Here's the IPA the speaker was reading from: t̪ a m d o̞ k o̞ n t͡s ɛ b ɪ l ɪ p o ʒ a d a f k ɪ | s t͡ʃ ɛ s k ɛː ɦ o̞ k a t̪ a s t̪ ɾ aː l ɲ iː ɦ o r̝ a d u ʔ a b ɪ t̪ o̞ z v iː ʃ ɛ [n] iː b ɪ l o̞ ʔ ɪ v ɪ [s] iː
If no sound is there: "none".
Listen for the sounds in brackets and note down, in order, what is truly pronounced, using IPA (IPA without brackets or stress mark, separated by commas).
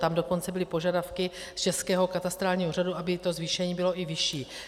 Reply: ɲ, ʃ